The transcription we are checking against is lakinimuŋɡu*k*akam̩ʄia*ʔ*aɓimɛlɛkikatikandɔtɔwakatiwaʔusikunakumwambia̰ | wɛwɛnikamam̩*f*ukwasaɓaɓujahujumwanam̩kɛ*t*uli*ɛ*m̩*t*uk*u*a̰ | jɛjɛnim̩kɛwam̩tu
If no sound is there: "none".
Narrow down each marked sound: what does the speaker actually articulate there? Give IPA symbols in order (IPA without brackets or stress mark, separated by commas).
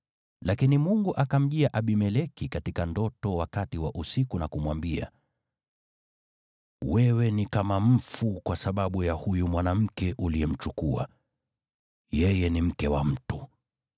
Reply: ʔ, ʔ, f, ʔ, ɛ, t͡ʃ, u